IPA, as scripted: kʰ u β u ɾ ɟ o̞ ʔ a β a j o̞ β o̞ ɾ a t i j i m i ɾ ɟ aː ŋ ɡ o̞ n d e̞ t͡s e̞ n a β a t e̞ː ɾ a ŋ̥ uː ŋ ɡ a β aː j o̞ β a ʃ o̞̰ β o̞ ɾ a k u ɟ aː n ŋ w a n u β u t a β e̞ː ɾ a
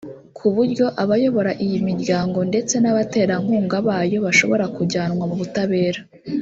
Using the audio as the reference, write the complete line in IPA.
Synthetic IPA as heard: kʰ u β u ɾ ɟ o̞ ʔ a β a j o̞ β o̞ ɾ a ʔ i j i m i ɾ ɟ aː ŋ ɡ o̞ n d e̞ t͡s e̞ n a β a t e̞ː ɾ a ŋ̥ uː ŋ ɡ a β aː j o̞ β a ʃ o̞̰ β o̞ ɾ a k u ɟ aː n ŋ w a m u β u t a β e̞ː ɾ a